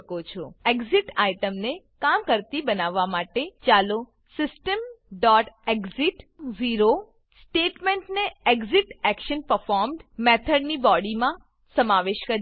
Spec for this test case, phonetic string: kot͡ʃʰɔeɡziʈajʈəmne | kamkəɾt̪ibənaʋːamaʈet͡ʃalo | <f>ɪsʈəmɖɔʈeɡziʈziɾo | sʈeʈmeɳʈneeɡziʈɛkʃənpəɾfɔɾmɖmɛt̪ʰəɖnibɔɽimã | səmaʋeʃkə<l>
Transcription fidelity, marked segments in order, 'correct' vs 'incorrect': incorrect, incorrect

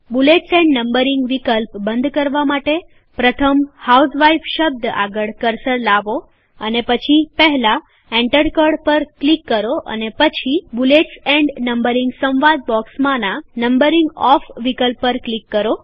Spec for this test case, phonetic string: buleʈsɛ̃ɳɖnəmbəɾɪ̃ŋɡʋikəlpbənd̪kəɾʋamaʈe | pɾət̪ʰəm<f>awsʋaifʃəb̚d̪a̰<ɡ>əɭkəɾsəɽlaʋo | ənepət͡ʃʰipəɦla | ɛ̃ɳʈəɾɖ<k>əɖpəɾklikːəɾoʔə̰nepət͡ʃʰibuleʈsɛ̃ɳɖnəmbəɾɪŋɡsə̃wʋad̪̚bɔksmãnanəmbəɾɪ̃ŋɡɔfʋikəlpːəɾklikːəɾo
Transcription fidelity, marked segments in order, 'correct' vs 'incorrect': incorrect, correct, correct

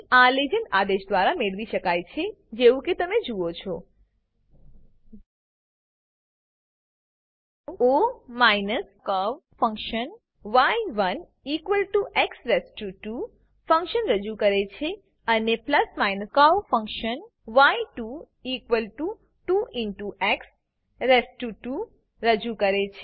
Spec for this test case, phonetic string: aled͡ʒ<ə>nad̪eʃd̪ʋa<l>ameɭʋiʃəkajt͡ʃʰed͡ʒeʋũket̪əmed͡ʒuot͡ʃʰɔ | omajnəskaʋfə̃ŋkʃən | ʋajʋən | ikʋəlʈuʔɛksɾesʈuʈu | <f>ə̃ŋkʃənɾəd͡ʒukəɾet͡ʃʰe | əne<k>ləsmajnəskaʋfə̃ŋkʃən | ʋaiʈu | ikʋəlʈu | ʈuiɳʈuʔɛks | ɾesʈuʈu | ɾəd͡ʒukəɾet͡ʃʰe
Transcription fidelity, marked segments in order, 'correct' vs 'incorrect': correct, incorrect, correct, incorrect

